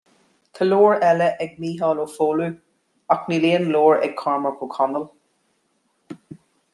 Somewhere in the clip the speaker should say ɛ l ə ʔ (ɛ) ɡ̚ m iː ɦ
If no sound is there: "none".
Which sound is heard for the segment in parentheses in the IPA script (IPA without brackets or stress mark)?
ɛ